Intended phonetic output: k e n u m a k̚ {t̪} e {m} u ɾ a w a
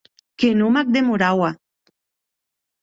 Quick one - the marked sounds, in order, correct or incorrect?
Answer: incorrect: d̪, correct

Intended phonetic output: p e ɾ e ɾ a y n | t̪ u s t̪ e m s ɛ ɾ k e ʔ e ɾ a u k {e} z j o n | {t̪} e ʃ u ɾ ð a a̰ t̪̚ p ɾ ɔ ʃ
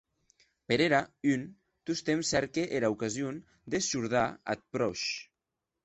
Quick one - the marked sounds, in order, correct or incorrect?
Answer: incorrect: a, incorrect: d̪

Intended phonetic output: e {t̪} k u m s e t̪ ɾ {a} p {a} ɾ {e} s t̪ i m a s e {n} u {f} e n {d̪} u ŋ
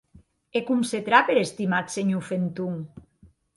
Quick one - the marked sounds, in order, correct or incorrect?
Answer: incorrect: none, correct, incorrect: e, correct, incorrect: ɲ, correct, incorrect: t̪

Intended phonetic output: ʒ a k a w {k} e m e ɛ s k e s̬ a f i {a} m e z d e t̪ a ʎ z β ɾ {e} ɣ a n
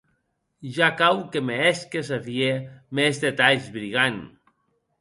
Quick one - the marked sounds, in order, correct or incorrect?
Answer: correct, incorrect: e, incorrect: i

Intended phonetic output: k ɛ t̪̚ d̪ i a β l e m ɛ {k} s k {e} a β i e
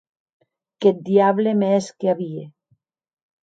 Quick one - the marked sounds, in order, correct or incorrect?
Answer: incorrect: none, correct

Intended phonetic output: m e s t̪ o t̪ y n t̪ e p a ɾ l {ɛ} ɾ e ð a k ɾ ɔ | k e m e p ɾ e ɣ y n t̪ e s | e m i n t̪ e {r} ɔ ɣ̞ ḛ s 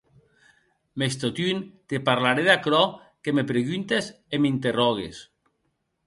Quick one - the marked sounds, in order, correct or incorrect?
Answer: incorrect: a, correct

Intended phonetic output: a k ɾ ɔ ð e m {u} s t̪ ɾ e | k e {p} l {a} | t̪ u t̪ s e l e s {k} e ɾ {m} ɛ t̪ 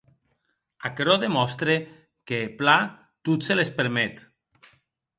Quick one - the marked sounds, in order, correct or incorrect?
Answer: incorrect: ɔ, correct, correct, incorrect: p, correct

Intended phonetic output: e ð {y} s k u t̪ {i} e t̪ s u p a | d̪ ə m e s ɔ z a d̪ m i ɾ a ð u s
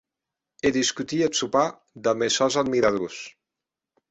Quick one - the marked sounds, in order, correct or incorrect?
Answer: incorrect: i, correct

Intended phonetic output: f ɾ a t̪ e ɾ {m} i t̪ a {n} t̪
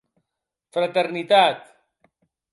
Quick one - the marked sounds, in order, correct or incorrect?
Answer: incorrect: n, incorrect: none

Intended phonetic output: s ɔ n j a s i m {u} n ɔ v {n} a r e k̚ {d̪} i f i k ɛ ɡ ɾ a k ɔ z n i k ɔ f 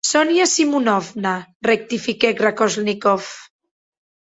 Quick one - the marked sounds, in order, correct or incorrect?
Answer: correct, correct, incorrect: t̪

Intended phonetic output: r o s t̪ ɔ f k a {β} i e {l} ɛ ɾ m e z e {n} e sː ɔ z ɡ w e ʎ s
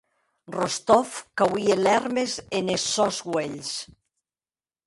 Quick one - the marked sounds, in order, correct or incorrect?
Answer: incorrect: w, correct, correct

